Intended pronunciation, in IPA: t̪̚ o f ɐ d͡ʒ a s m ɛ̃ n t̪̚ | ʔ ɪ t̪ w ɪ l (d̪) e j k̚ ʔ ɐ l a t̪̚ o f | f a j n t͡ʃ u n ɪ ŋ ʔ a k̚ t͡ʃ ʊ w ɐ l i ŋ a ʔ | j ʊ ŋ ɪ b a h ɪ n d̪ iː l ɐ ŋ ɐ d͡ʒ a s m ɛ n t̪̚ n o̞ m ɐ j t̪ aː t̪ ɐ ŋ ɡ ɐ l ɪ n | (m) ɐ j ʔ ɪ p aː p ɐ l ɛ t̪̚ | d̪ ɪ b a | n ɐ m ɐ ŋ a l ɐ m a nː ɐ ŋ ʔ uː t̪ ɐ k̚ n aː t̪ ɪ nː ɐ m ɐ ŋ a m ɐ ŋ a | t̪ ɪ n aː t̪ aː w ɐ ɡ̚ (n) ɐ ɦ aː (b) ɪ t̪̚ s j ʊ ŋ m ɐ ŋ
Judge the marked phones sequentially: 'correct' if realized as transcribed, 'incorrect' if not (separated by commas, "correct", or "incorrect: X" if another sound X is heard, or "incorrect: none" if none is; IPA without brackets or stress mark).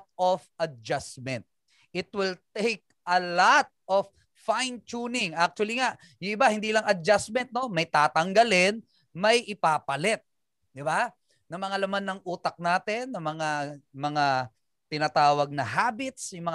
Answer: incorrect: t̪, correct, correct, correct